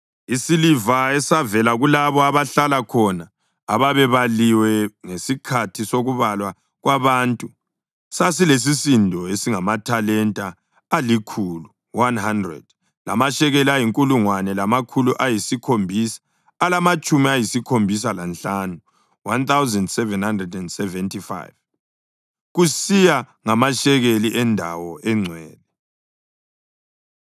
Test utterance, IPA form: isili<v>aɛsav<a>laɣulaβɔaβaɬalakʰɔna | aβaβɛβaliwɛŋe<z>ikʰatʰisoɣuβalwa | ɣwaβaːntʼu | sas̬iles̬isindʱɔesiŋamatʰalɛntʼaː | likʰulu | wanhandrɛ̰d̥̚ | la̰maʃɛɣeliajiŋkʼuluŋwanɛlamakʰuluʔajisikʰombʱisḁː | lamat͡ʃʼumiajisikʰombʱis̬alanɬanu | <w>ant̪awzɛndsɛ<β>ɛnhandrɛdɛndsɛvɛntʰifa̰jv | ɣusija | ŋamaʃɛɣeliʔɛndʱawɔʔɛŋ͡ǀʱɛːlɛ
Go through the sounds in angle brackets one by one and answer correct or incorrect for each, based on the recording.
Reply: correct, incorrect, incorrect, correct, incorrect

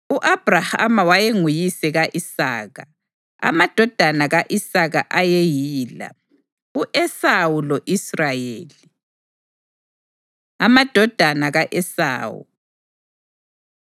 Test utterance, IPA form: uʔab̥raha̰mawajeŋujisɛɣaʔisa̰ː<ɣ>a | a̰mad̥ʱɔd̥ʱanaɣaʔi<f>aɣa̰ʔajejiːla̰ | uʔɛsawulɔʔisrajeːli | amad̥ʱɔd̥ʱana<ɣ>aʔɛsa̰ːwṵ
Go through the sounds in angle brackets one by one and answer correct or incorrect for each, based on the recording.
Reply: correct, incorrect, correct

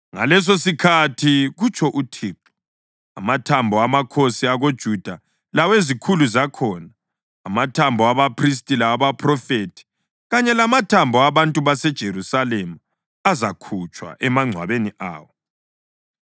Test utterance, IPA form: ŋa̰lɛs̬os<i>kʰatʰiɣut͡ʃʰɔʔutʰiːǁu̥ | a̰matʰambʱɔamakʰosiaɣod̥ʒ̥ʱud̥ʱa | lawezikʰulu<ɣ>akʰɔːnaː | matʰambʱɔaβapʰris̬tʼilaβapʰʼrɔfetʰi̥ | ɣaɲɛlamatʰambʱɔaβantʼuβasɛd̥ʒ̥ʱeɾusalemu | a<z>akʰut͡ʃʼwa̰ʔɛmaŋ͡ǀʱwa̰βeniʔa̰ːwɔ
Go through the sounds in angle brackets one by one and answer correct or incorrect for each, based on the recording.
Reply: correct, incorrect, correct

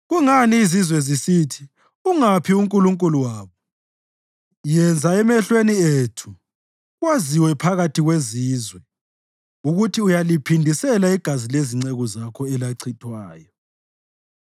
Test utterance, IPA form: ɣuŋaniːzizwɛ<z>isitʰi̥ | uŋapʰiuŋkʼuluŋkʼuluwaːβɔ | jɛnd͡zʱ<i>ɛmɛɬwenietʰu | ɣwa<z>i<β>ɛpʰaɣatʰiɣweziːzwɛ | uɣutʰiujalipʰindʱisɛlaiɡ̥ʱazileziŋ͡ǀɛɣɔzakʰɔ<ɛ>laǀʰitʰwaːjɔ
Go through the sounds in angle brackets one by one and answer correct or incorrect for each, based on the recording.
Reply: correct, incorrect, correct, incorrect, correct

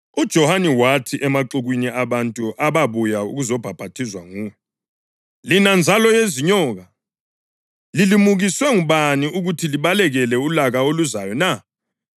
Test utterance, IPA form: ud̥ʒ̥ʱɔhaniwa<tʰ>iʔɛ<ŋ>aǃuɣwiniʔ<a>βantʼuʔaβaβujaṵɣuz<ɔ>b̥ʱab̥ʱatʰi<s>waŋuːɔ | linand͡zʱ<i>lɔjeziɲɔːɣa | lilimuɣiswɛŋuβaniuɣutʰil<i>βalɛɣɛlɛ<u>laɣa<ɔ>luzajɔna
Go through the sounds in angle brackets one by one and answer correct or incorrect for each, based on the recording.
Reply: correct, incorrect, correct, correct, incorrect, incorrect, correct, correct, incorrect

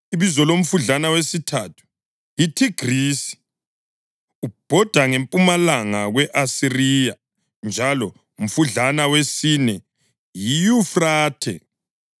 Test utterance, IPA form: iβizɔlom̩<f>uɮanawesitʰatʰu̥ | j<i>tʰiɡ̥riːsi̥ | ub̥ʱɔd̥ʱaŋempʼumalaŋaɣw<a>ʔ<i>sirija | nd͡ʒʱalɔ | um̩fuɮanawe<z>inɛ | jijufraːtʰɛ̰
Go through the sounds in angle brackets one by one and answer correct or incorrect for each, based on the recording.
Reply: correct, correct, incorrect, incorrect, incorrect

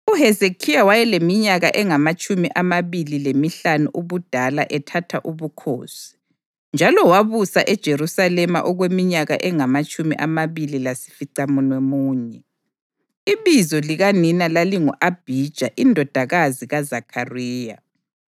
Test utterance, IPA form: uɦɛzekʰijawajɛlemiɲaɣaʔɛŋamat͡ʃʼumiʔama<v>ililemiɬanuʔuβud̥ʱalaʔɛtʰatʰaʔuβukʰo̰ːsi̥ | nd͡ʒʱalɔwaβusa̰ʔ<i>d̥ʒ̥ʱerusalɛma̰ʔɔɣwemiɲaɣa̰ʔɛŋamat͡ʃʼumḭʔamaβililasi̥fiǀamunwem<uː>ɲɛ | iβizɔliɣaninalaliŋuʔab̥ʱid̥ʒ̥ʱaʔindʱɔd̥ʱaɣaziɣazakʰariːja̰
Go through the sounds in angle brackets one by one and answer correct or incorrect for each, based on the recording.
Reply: incorrect, incorrect, correct

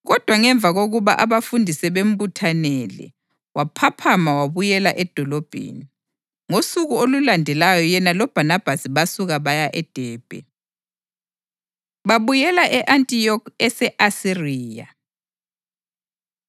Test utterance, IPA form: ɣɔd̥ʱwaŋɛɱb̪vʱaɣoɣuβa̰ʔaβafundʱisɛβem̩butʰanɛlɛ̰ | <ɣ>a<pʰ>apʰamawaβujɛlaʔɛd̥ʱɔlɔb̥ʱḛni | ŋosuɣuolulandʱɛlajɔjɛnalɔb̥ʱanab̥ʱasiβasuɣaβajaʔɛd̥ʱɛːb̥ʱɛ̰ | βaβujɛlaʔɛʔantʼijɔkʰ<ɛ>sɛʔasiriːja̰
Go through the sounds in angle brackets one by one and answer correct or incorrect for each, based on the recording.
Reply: incorrect, correct, correct

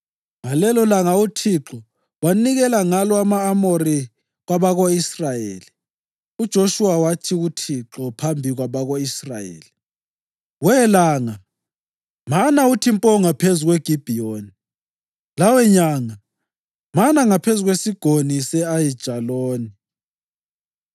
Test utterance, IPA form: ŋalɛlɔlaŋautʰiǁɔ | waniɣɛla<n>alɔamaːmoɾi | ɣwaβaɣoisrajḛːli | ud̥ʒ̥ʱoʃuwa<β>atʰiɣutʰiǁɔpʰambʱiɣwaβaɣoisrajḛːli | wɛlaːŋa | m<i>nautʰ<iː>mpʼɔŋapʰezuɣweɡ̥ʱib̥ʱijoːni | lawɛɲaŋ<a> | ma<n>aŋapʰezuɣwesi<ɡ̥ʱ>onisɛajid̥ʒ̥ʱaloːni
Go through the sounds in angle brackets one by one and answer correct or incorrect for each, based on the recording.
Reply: incorrect, incorrect, incorrect, incorrect, correct, correct, correct

